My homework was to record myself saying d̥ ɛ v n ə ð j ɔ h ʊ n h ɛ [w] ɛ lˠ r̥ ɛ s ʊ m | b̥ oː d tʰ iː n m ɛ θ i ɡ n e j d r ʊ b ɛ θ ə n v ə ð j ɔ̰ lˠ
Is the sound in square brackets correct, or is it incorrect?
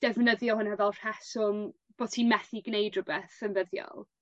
incorrect